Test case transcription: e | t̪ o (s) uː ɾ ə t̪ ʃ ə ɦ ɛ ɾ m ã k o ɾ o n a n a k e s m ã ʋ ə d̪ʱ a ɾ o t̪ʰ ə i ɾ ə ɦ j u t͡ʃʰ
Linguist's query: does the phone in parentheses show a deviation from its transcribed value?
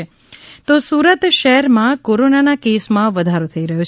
no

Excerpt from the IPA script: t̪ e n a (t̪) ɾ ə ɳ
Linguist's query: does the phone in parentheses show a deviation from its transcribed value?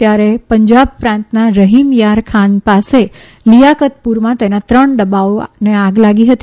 no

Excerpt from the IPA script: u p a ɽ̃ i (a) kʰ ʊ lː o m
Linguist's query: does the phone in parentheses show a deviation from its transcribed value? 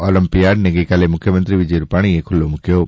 yes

